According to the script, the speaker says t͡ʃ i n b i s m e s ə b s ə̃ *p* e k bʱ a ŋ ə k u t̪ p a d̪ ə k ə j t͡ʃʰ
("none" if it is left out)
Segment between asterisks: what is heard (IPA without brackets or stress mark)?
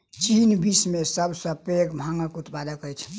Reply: p